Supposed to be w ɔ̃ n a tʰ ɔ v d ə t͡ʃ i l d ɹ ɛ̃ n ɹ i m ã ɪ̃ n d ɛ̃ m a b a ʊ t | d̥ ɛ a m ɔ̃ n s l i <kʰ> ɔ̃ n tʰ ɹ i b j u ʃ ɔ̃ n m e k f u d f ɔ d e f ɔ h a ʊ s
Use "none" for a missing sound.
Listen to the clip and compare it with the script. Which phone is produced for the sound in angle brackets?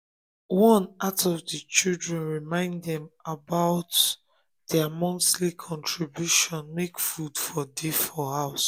kʰ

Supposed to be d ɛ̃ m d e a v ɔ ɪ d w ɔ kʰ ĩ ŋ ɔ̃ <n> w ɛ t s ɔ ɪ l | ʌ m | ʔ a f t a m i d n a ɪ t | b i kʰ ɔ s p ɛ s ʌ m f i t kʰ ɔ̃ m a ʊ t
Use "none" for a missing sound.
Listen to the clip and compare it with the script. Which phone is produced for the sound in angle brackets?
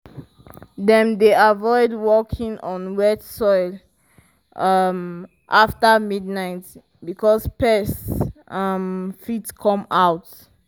n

